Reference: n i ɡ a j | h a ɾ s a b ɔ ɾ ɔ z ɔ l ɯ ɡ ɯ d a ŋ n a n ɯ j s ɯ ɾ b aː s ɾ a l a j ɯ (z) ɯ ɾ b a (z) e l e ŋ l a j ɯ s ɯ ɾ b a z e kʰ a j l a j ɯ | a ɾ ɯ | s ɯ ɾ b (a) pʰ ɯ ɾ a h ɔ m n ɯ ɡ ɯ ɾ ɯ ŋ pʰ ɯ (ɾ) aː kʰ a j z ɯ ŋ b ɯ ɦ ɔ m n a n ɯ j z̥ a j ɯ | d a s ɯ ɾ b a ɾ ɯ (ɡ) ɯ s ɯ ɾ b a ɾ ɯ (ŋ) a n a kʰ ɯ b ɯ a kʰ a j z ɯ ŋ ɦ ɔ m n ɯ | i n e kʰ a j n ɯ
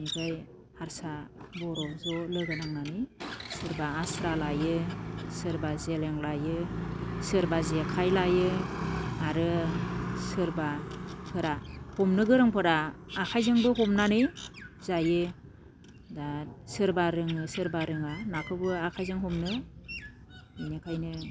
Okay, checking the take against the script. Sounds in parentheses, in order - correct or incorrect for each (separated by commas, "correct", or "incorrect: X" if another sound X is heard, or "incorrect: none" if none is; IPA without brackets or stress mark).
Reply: incorrect: s, correct, correct, correct, incorrect: ŋ, correct